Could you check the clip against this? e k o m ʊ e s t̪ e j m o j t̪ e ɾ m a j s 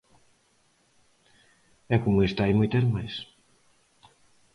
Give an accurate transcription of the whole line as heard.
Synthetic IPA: ɛ k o m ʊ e s t̪ a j m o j t̪ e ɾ m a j s